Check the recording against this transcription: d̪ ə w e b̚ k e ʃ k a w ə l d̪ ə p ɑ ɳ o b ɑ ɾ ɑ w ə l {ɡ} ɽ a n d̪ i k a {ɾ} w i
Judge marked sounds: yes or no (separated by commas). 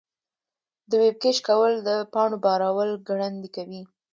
yes, no